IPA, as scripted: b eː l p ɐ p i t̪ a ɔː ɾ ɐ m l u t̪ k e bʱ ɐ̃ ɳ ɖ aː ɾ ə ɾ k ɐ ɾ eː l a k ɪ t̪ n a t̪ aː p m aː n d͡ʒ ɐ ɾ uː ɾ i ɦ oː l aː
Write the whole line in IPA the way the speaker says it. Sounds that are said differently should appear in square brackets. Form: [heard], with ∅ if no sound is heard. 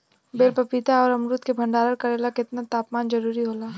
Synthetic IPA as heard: b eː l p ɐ p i t̪ a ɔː ɾ ɐ m [ɾ] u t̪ k e bʱ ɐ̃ ɳ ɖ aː ɾ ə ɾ k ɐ ɾ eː l a k ɪ t̪ n a t̪ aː p m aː n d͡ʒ ɐ ɾ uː ɾ i ɦ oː l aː